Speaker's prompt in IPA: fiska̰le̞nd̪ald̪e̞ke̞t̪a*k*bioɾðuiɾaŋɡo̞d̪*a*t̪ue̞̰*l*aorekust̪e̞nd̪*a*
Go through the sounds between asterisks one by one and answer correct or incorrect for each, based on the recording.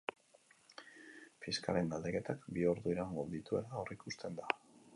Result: correct, incorrect, correct, correct

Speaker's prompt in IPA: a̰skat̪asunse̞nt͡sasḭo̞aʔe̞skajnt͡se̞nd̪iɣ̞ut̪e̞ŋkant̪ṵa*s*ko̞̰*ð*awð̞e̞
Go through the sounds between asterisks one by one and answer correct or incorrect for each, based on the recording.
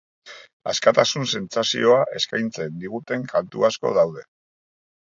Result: correct, correct

